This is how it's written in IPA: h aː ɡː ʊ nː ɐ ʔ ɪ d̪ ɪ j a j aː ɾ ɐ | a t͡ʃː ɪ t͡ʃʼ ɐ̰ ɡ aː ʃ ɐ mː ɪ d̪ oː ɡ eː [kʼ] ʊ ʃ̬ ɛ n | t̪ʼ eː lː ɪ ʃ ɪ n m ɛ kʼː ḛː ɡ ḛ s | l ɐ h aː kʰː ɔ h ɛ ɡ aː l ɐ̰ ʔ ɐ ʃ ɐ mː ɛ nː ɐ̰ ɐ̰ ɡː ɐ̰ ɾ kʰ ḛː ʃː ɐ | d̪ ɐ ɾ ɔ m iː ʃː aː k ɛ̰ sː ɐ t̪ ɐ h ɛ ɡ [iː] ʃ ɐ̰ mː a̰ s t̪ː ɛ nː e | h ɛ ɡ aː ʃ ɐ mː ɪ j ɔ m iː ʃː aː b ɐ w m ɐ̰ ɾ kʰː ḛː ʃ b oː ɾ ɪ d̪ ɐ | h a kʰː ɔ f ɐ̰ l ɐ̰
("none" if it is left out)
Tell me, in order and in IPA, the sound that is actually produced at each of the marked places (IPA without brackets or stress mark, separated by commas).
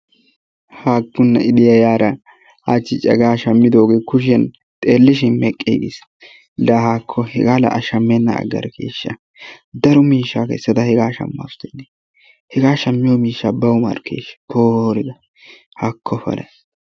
k, aː